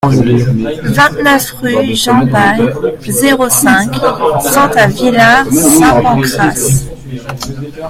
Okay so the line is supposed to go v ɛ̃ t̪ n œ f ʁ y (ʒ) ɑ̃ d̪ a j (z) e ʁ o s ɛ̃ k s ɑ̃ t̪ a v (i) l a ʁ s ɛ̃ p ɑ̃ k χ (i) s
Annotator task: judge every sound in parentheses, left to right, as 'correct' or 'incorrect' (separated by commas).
correct, correct, correct, incorrect